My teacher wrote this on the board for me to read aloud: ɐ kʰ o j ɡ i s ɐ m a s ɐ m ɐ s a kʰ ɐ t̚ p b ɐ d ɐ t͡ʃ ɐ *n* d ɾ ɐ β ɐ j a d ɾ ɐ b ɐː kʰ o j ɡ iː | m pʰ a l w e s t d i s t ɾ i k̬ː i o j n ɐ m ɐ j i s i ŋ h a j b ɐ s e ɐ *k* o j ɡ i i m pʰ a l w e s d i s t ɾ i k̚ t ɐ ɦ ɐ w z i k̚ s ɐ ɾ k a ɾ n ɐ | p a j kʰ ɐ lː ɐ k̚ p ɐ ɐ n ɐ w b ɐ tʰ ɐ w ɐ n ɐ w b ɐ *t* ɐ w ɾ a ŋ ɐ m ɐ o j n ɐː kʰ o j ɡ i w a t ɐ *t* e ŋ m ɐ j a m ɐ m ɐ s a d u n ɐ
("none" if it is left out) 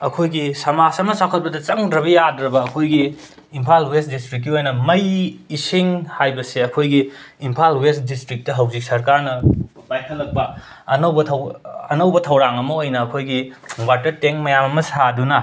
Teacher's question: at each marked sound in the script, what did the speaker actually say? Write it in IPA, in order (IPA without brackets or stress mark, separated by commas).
ŋ, kʰ, tʰ, t